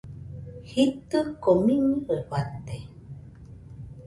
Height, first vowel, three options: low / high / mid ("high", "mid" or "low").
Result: high